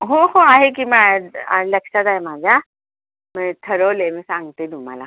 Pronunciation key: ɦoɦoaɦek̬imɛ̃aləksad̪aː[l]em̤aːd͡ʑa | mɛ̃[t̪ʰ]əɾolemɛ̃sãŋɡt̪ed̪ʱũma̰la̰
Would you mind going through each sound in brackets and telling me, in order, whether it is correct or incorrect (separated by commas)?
incorrect, correct